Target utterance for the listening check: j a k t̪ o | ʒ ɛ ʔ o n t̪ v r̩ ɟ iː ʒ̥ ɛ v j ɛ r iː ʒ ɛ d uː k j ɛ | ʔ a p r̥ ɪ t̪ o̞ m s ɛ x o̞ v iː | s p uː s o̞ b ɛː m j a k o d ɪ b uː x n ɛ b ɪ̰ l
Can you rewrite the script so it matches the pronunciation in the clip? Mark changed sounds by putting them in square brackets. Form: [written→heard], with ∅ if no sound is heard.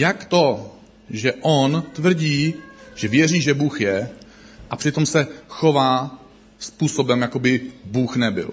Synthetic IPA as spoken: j a k t̪ o | ʒ ɛ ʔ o n t̪ v r̩ ɟ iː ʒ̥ ɛ v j ɛ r iː ʒ ɛ [d→b] uː [k→x] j ɛ | ʔ a p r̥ ɪ t̪ o̞ m s ɛ x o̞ v [iː→aː] | s p uː s o̞ b [ɛː→ɛ] m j a k o [d→b] ɪ b uː x n ɛ b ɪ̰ l